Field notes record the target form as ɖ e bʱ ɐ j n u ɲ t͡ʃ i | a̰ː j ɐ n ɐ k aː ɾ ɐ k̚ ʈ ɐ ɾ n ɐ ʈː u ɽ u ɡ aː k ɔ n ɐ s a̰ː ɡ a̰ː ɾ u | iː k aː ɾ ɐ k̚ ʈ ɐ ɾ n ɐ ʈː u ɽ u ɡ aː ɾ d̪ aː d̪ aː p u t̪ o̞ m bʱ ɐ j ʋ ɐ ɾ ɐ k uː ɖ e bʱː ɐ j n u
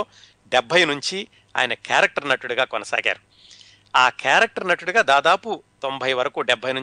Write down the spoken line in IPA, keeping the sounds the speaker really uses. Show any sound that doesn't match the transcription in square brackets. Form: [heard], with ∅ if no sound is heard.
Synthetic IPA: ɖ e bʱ ɐ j n u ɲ t͡ʃ i | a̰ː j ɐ n ɐ k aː ɾ ɐ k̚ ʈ ɐ ɾ n ɐ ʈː u ɽ u ɡ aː k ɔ n ɐ s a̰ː ɡ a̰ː ɾ u | [aː] k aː ɾ ɐ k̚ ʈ ɐ ɾ n ɐ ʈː u ɽ u ɡ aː [∅] d̪ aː d̪ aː p u t̪ o̞ m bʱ ɐ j ʋ ɐ ɾ ɐ k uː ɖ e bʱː ɐ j n u